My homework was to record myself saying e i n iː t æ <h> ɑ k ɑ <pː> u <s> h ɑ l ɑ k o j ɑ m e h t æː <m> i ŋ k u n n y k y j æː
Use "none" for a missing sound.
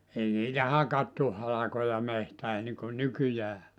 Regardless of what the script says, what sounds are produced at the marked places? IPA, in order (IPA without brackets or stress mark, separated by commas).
h, tː, h, n